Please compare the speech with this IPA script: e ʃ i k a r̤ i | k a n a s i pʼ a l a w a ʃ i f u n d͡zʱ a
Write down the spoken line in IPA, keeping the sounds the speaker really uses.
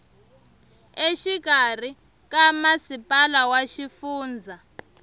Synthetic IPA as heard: e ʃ i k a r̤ i | k a m a s i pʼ a l a w a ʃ i f uː n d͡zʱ a